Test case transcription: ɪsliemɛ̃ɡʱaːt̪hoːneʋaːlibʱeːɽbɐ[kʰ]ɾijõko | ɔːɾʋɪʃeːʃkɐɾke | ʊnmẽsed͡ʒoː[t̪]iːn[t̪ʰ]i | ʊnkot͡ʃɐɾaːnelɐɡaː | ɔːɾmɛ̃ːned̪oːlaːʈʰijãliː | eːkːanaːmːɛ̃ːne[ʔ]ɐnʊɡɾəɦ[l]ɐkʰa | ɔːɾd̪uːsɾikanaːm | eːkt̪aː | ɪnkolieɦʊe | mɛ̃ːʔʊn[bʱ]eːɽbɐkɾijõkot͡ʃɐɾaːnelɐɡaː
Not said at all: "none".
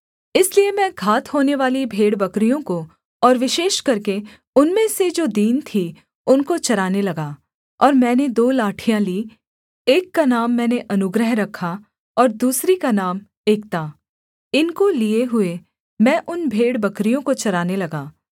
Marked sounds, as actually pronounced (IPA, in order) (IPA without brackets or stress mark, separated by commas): k, d̪, t̪ʰ, ʔ, ɾ, bʱ